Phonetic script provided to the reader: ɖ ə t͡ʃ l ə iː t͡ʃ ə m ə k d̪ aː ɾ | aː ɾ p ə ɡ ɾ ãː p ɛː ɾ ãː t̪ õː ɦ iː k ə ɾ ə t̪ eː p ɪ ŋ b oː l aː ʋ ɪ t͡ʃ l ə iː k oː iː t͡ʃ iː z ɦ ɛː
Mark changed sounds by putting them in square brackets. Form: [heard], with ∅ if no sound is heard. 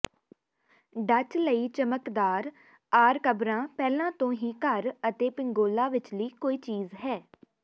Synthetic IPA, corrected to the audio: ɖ ə t͡ʃ l ə iː t͡ʃ ə m ə k d̪ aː ɾ | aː ɾ [k] ə [b] ɾ ãː p ɛː [l] ãː t̪ õː ɦ iː k ə ɾ ə t̪ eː p ɪ ŋ [ɡ] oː l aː ʋ ɪ t͡ʃ l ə iː k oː iː t͡ʃ iː z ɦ ɛː